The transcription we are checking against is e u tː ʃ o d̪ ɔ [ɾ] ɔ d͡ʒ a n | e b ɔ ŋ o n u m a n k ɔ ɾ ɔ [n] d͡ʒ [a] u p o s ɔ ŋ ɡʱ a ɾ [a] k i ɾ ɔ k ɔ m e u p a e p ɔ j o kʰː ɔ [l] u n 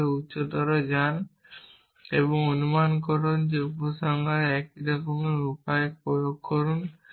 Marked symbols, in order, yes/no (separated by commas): yes, yes, no, no, no